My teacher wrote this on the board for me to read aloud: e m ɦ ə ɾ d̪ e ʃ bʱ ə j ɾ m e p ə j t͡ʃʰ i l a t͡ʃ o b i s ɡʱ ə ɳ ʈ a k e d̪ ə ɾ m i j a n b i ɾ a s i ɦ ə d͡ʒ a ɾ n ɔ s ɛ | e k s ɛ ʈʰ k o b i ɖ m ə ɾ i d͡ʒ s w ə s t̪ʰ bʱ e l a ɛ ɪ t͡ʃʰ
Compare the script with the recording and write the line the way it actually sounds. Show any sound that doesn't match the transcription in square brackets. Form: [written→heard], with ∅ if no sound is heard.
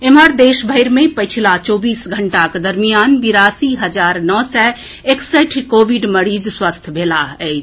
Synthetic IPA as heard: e m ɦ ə ɾ d̪ e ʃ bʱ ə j ɾ m e p ə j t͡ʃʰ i l a t͡ʃ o b i s ɡʱ ə ɳ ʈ a k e d̪ ə ɾ m i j a n b i ɾ a s i ɦ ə d͡ʒ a ɾ n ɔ s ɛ | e k s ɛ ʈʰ k o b i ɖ m ə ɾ i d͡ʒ s w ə s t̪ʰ bʱ e l a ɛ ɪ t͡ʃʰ